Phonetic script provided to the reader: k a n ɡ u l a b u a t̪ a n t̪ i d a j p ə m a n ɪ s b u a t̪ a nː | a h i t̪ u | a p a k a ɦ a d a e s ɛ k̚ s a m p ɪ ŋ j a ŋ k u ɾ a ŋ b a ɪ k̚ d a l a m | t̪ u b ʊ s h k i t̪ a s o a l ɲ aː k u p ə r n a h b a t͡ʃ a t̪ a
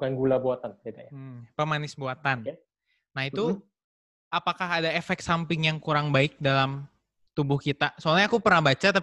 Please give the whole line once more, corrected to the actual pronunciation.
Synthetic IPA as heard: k a n ɡ u l a b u a t̪ a n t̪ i d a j p ə m a n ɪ s b u a t̪ a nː | a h i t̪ u | a p a k a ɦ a d a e f ɛ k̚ s a m p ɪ ŋ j a ŋ k u ɾ a ŋ b a ɪ k̚ d a l a m | t̪ u b ʊ h k i t̪ a s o a l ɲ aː k u p ə r n a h b a t͡ʃ a t̪ a